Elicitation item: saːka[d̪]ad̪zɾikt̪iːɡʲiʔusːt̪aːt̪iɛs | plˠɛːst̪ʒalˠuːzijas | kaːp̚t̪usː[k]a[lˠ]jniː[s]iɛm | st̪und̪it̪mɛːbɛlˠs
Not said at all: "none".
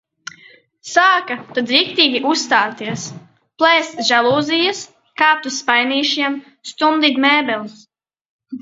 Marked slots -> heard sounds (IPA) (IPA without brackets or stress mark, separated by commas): t̪, p, none, ʃ